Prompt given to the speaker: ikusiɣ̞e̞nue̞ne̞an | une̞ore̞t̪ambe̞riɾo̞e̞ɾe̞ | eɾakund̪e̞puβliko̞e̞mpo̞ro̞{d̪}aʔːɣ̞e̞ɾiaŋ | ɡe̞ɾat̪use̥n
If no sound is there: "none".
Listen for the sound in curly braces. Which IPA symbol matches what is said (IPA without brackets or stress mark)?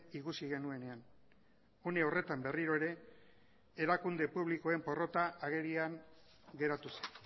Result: t̪